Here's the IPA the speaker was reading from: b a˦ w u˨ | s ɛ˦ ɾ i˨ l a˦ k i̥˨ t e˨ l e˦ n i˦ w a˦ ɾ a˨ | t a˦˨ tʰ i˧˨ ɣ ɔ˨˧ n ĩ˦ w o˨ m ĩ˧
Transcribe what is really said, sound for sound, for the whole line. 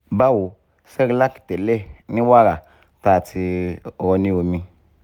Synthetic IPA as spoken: b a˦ w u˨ | s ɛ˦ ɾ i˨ l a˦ k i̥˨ t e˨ l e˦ n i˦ w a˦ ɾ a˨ | t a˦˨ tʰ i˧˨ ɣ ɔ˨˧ n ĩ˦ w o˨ m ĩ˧